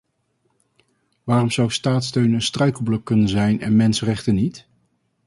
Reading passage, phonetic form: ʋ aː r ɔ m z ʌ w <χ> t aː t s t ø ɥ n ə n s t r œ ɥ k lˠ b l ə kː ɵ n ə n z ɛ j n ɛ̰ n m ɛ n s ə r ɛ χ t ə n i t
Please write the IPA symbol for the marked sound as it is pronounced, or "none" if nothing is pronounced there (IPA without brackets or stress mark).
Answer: s